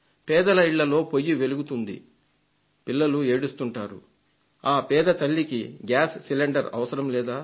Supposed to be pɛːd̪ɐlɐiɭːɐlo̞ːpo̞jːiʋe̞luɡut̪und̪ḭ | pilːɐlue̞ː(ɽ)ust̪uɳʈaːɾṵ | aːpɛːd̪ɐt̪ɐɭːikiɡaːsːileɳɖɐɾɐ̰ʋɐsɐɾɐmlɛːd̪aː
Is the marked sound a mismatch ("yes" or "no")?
no